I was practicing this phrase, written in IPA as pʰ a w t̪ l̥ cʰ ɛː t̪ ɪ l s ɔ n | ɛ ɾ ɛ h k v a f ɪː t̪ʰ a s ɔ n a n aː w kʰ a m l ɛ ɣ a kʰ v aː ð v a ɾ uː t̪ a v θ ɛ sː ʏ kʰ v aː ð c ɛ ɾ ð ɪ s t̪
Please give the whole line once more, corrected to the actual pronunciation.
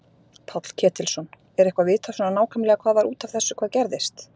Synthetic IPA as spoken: pʰ a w t̪ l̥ cʰ ɛː t̪ ɪ l s ɔ n | ɛ ɾ ɛ h k v a v ɪː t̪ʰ a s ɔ n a n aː w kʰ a m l ɛ ɣ a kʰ v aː ð v a ɾ uː t̪ a v θ ɛ sː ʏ kʰ v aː ð c ɛ ɾ ð ɪ s t̪

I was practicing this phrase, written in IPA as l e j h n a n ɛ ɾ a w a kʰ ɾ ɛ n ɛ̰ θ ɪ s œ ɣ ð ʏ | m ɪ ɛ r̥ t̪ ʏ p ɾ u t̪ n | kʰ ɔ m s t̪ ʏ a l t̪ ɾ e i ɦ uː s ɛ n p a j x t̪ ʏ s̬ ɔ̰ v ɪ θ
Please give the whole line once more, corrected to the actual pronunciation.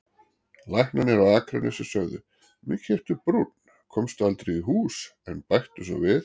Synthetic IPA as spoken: l a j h n a n ɛ ɾ a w a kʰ ɾ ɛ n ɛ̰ s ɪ s œ ɣ ð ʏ | m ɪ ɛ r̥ t̪ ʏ p ɾ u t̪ n | kʰ ɔ m s t̪ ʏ a l t̪ ɾ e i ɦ uː s ɛ n p a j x t̪ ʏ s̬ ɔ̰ v ɪ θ

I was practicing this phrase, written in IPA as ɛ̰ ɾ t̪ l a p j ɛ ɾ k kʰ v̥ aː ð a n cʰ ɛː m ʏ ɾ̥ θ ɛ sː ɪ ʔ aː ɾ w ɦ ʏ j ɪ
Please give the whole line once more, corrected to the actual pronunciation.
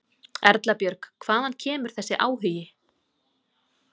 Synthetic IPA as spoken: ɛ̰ ɾ t̪ l a p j œ ɾ k kʰ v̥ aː ð a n cʰ ɛː m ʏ ɾ̥ θ ɛ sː ɪ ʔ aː w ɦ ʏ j ɪ

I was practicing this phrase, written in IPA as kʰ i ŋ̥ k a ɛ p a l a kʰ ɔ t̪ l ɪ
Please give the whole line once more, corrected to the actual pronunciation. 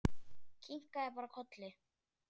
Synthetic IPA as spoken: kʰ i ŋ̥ k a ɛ p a ɾ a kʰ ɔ t̪ l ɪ

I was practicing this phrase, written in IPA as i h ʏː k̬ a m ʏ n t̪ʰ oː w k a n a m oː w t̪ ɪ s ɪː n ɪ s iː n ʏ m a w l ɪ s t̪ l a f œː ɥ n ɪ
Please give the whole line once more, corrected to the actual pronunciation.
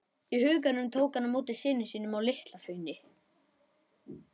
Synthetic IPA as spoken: i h ʏː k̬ a n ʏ m t̪ʰ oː w k a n a m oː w t̪ ɪ s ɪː n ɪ s iː n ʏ m a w l ɪ h t̪ l a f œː ɥ n ɪ

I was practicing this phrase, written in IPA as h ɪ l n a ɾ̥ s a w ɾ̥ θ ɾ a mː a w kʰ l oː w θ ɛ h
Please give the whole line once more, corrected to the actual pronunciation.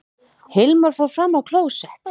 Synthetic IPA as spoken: h ɪ l m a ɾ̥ f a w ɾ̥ f ɾ a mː a w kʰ l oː w s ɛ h

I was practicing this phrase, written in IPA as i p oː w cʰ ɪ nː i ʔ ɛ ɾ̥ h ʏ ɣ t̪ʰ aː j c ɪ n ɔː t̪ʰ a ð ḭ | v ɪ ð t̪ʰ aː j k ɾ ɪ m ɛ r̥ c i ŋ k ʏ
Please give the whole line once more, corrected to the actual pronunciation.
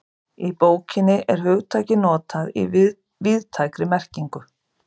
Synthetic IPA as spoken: i p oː w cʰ ɪ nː ɪ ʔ ɛ ɾ̥ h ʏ ɣ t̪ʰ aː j c ɪ n ɔː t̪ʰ a ð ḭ | v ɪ ð t̪ʰ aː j k ɾ ɪ m ɛ r̥ c i ŋ k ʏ

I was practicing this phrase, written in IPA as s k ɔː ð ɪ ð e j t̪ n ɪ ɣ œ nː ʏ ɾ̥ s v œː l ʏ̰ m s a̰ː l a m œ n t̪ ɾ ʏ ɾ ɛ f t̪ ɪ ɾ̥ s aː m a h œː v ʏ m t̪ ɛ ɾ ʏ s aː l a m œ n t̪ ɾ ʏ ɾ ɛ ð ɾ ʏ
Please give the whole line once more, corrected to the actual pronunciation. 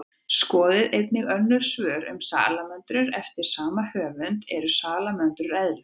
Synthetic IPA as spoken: s k ɔː ð ɪ ð e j t̪ n ɪ ɣ œ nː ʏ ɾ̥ s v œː ɾ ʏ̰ m s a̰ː l a m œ n t̪ ɾ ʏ ɾ ɛ f t̪ ɪ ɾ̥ s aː m a h œː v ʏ n t̪ ɛ ɾ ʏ s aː l a m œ n t̪ ɾ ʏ ɾ ɛ ð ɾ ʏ

